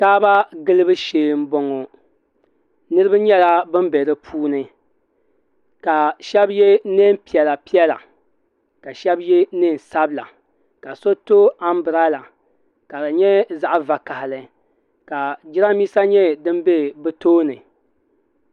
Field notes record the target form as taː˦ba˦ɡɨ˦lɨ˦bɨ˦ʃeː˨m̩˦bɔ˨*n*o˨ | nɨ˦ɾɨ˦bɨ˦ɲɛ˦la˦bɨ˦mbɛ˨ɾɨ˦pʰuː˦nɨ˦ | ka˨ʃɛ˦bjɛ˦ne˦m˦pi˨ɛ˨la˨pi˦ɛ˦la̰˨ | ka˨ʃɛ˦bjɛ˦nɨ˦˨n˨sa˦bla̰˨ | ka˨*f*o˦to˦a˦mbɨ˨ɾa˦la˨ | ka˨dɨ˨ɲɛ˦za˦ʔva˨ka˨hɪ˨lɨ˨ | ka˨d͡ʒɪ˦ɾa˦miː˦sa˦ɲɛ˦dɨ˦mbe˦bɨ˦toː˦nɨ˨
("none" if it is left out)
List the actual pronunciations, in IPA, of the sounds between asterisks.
ŋ, s

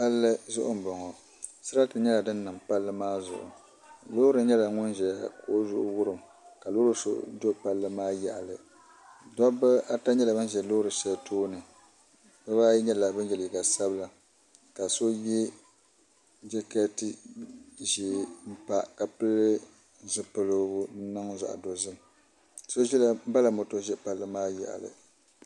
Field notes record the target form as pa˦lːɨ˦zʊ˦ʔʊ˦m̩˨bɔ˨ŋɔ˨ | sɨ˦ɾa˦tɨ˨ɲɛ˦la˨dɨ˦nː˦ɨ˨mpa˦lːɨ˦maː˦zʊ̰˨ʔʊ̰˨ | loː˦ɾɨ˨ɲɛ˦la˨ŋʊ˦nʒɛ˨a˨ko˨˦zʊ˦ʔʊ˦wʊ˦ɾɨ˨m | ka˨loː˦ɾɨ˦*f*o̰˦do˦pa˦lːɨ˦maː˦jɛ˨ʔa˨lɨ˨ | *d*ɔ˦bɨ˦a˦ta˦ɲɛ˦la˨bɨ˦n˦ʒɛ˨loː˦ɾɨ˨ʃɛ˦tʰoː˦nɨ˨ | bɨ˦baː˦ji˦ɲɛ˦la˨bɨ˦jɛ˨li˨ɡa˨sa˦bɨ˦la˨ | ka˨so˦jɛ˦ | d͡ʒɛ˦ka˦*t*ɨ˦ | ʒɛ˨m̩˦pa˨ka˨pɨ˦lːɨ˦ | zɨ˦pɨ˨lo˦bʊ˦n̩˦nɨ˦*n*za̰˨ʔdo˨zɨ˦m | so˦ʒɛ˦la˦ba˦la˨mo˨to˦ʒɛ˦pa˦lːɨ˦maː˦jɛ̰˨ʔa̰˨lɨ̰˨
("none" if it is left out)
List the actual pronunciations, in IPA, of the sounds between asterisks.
s, d, t, ŋ

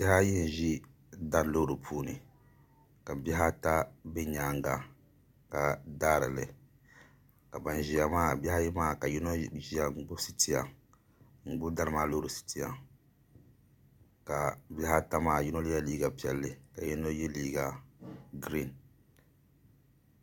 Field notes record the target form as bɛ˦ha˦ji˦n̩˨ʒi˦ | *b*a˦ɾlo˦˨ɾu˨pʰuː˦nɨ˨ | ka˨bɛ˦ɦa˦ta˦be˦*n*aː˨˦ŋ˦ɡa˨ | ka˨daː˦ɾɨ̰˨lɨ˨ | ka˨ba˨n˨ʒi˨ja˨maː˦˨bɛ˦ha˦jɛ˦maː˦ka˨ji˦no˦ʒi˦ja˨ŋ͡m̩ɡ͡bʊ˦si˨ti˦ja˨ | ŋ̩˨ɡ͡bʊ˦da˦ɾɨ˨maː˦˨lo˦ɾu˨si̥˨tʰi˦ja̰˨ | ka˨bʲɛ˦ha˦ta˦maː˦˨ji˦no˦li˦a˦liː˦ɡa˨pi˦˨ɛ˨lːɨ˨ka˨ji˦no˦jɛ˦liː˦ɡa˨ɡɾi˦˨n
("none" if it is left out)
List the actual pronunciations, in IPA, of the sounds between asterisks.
d, ɲ

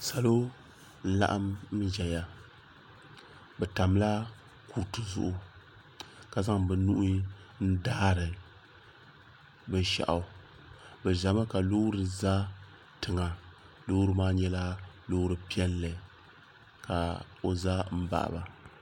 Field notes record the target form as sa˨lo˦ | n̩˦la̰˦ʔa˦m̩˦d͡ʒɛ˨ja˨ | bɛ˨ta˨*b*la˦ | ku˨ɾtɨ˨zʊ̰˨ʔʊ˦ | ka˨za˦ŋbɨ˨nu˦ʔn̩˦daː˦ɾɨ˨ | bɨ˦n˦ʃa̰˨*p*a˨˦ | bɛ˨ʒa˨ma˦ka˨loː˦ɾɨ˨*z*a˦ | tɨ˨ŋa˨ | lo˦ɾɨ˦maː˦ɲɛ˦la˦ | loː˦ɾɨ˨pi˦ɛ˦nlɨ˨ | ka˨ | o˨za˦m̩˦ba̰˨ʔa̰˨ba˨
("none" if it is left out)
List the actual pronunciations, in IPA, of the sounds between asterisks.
m, ʔ, z

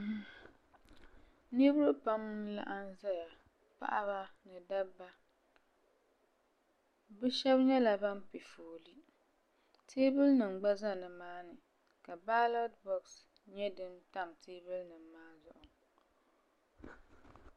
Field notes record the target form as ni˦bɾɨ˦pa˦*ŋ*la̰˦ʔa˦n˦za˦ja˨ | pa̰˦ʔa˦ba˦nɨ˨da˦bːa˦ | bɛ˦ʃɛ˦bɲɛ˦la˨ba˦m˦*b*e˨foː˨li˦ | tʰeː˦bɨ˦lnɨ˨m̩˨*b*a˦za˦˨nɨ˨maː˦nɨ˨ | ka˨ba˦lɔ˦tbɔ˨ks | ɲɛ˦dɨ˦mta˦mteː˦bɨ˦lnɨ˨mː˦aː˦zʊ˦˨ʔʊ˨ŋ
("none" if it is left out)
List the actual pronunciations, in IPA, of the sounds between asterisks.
m, p, ɡ͡b

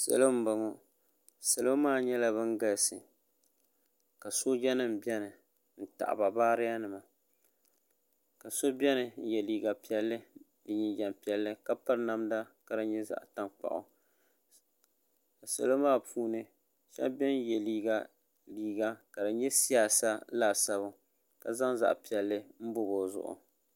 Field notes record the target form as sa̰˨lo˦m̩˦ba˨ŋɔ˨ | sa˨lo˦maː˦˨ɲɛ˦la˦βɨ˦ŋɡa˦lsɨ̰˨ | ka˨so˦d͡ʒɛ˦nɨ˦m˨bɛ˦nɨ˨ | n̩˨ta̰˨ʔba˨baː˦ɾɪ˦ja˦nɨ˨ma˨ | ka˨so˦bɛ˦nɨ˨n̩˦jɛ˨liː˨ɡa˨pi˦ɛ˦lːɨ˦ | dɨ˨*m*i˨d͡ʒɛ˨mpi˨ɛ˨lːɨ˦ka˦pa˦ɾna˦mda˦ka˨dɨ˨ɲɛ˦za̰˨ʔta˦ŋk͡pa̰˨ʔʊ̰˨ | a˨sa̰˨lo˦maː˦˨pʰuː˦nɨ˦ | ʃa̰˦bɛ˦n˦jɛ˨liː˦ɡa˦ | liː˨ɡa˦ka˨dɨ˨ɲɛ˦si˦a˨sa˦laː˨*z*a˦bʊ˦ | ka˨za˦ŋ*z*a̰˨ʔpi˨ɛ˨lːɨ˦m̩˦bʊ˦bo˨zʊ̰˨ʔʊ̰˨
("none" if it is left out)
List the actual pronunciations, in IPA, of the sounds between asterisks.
ɲ, s, z

